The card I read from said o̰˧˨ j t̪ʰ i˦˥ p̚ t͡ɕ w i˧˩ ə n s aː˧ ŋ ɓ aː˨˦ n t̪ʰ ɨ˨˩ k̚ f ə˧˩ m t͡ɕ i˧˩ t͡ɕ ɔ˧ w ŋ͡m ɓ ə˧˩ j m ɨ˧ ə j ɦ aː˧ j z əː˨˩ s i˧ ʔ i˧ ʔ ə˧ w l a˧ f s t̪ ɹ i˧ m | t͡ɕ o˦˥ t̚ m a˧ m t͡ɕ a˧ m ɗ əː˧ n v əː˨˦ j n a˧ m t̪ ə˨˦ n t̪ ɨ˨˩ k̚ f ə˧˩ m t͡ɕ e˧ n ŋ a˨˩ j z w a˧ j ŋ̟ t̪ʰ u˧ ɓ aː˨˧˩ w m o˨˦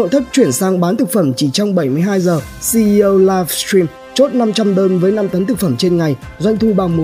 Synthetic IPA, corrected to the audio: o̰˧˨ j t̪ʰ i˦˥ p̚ t͡ɕ w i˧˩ ə n s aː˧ ŋ ɓ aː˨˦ n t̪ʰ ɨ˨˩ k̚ f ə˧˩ m t͡ɕ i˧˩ t͡ɕ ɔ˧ w ŋ͡m ɓ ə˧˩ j m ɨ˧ ə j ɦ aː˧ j z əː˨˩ s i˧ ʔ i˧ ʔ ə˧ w l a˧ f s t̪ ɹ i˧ m | t͡ɕ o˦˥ t̚ n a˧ m t͡ɕ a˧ m ɗ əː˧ n v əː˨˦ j n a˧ m t̪ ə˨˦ n t̪ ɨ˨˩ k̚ f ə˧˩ m t͡ɕ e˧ n ŋ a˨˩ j z w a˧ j ŋ̟ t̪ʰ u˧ ɓ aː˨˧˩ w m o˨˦